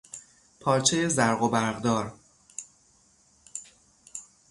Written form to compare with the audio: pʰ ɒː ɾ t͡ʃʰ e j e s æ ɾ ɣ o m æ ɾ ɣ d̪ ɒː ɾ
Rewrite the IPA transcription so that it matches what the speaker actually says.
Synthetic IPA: pʰ ɒː ɾ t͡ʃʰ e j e z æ ɾ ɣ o b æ ɾ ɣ d̪ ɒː ɾ